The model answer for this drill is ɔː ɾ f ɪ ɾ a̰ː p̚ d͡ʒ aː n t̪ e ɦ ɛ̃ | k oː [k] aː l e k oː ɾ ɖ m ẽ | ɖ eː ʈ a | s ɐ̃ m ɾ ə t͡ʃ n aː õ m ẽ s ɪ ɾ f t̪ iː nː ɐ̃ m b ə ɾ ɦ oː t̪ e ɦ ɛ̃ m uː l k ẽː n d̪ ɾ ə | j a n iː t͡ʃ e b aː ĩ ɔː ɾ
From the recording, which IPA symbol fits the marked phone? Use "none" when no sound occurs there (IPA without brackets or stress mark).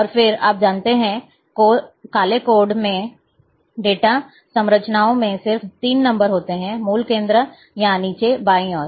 k